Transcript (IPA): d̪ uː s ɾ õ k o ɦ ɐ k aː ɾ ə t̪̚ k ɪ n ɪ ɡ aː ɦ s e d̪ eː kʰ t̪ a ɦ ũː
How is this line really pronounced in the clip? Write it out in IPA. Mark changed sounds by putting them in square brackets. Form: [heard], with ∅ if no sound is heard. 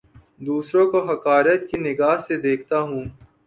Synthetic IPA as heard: d̪ uː s ɾ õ k o ɦ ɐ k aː ɾ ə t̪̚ k [i] n ɪ ɡ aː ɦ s e d̪ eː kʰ t̪ a ɦ ũː